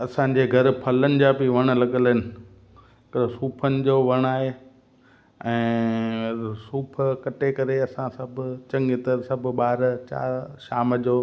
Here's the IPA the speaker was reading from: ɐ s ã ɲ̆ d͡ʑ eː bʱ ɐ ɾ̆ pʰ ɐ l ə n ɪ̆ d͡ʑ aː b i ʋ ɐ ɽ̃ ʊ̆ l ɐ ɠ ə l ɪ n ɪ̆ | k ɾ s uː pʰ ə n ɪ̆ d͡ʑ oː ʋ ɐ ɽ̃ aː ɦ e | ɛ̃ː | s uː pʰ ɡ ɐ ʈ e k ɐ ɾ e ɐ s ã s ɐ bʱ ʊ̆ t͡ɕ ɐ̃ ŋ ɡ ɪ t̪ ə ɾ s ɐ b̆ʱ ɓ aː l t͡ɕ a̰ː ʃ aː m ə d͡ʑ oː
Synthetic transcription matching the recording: ɐ s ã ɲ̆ d͡ʑ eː ɡʱ ɐ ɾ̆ pʰ ɐ l ə n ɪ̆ d͡ʑ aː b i ʋ ɐ ɽ̃ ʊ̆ l ɐ ɠ ə l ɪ n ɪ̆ | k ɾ s uː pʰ ə n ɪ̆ d͡ʑ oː ʋ ɐ ɽ̃ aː ɦ e | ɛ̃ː | s uː pʰ k ɐ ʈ e k ɐ ɾ e ɐ s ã s ɐ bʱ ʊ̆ t͡ɕ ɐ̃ ŋ ɡ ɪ t̪ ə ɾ s ɐ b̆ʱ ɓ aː ɾ t͡ɕ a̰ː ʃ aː m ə d͡ʑ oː